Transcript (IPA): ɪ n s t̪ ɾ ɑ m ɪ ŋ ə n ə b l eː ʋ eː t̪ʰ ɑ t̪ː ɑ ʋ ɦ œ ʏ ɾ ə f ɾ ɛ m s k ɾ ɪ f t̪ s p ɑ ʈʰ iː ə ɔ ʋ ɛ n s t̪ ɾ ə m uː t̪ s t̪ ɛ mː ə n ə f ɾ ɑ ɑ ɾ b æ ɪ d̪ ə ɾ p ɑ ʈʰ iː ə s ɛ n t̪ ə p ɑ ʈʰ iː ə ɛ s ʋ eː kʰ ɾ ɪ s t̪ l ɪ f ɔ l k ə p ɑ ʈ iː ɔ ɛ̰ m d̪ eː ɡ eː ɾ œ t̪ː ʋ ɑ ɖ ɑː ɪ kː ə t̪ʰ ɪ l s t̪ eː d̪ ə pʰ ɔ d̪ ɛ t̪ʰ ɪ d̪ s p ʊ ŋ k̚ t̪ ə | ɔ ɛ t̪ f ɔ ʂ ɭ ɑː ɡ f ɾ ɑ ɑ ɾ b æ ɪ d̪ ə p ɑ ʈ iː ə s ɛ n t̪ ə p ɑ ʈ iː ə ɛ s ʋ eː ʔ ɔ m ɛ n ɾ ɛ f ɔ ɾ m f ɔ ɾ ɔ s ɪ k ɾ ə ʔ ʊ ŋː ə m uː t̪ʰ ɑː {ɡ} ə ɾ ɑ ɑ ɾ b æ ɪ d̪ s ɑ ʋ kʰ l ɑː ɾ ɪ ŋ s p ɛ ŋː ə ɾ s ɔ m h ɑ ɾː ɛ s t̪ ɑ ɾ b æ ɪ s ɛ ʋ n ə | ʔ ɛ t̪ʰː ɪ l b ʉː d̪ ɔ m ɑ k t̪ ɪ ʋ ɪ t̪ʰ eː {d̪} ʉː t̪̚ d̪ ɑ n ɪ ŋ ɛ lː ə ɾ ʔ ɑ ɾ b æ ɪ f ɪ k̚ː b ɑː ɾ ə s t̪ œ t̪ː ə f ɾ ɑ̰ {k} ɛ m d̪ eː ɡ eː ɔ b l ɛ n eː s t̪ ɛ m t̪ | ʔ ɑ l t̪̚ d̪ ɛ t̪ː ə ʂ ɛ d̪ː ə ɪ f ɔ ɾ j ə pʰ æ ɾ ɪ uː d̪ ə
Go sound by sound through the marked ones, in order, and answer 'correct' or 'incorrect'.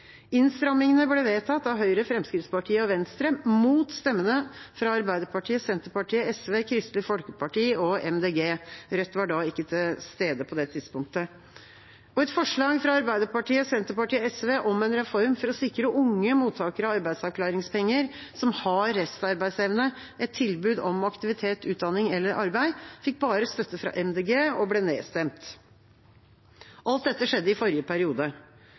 incorrect, incorrect, incorrect

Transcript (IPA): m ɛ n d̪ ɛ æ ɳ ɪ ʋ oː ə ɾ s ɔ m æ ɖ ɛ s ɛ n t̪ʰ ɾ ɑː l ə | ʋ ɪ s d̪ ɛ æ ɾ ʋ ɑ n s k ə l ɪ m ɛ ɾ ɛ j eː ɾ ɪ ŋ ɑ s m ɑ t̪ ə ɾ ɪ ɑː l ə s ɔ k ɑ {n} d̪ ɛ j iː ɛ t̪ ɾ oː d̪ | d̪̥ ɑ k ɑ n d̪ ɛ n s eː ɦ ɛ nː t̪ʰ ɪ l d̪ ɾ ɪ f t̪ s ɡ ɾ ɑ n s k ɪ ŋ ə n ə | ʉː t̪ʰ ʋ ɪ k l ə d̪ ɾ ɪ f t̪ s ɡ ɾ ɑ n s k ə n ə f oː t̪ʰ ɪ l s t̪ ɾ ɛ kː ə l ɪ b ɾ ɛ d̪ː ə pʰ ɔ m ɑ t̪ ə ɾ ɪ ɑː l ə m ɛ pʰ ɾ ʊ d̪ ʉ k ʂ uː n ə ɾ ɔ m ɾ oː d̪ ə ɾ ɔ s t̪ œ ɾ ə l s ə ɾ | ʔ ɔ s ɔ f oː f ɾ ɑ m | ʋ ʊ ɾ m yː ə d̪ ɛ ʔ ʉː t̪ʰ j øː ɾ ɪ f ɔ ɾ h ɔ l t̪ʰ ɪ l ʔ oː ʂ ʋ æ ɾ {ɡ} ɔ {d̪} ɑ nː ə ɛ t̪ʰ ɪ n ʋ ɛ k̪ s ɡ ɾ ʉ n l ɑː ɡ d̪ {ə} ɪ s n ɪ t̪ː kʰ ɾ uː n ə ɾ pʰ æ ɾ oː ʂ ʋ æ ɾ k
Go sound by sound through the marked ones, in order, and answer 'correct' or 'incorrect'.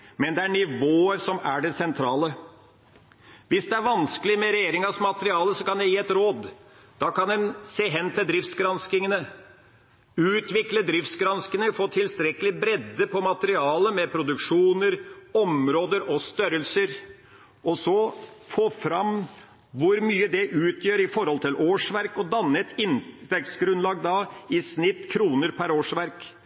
correct, incorrect, correct, incorrect

